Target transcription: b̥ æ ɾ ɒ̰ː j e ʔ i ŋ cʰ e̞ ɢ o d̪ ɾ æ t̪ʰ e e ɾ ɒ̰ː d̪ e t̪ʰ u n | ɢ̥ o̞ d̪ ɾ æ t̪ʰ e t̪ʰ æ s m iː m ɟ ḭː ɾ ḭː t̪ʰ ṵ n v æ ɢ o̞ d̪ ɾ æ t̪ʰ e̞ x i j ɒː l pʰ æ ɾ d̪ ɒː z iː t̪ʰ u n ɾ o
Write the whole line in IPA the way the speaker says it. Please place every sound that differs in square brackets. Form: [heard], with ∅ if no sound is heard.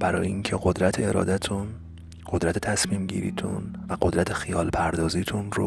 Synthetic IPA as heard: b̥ æ ɾ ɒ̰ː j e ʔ i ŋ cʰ e̞ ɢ o d̪ ɾ æ t̪ʰ e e ɾ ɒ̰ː d̪ [æ] t̪ʰ u n | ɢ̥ o̞ d̪ ɾ æ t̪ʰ e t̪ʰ æ s m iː m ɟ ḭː ɾ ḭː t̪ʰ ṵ n v æ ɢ o̞ d̪ ɾ æ t̪ʰ e̞ x i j ɒː l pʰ æ ɾ d̪ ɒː z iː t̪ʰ u n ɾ o